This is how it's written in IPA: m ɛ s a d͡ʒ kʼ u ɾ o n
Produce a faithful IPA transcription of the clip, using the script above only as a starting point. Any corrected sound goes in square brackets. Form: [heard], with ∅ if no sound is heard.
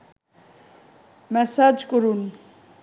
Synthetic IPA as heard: m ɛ s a d͡ʒ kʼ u ɾ [u] n